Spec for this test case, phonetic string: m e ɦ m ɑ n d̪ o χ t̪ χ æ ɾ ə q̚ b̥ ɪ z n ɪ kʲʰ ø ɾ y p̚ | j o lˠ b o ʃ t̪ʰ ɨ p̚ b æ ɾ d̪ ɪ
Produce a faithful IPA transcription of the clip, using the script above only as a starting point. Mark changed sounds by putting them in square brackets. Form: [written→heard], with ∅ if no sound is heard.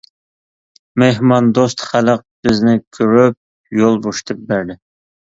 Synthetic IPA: m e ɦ m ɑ n d̪ o [χ→s] t̪ χ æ [ɾ→l] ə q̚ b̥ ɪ z n ɪ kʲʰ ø ɾ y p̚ | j o lˠ b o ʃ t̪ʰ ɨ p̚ b æ ɾ d̪ ɪ